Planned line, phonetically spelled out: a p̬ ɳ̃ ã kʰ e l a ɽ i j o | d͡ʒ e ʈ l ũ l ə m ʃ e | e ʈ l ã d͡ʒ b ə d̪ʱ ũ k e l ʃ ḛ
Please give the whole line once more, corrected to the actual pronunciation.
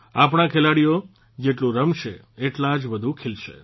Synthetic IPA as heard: a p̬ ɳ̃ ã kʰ e l a ɽ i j o | d͡ʒ e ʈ l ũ ɾ ə m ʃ e | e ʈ l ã d͡ʒ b ə d̪ʱ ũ kʰ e l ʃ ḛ